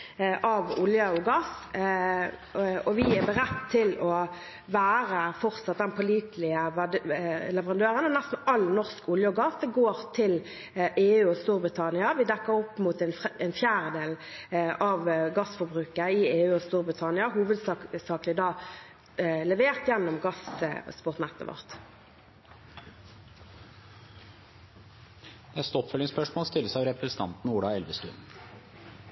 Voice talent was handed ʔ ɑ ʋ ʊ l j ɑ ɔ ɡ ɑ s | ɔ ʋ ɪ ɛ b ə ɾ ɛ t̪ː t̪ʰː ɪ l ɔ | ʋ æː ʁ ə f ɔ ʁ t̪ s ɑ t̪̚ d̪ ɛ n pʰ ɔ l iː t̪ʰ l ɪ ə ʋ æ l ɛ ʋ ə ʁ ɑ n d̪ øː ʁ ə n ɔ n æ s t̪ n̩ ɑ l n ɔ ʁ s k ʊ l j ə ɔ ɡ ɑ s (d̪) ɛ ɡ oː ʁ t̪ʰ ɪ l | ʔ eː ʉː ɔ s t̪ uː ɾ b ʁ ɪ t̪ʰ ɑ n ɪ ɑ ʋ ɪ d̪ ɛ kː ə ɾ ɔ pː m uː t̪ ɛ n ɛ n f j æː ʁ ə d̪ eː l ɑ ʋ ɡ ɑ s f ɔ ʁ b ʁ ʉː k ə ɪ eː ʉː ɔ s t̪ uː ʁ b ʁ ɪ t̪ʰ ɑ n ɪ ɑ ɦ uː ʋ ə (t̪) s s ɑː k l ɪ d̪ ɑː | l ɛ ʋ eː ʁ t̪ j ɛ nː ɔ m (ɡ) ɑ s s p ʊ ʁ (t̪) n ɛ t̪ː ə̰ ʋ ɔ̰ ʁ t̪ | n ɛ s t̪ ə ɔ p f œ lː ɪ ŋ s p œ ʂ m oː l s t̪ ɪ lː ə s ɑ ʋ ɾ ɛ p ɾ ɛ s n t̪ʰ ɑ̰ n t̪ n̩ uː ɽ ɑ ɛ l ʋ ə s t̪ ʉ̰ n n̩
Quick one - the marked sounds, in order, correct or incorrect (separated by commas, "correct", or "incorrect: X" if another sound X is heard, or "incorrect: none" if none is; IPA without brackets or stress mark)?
correct, incorrect: d̪, correct, correct